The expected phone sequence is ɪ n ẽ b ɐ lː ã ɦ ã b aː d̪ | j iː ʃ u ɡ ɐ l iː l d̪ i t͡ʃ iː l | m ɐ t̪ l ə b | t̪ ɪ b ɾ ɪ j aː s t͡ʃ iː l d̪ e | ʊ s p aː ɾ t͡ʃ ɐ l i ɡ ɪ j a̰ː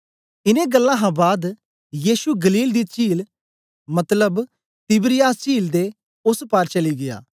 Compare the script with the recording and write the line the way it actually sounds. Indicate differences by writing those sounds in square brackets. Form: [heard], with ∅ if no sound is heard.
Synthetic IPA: ɪ n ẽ [ɡ] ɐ lː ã ɦ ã b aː d̪ | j iː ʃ u ɡ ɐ l iː l d̪ i t͡ʃ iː l | m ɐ t̪ l ə b | t̪ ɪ b ɾ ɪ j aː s t͡ʃ iː l d̪ e | ʊ s p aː ɾ t͡ʃ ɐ l i ɡ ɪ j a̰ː